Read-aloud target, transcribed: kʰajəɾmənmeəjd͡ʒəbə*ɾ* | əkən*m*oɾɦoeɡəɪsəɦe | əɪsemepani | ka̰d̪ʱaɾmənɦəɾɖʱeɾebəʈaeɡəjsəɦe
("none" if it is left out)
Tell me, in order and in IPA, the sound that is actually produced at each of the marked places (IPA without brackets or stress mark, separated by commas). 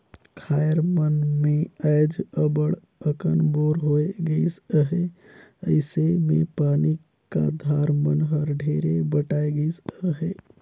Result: ɽ, b